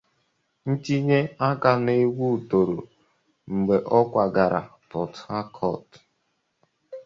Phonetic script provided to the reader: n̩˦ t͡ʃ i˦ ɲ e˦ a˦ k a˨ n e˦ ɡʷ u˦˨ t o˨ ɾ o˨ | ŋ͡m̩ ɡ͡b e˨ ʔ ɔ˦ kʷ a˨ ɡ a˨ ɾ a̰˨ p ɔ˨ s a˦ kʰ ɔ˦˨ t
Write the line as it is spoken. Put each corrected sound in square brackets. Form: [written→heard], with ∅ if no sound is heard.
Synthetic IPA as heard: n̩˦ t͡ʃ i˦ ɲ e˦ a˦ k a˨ n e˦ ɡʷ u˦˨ t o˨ ɾ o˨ | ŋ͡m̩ ɡ͡b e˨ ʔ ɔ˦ kʷ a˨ ɡ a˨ ɾ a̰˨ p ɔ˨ [s→t] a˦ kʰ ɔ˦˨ t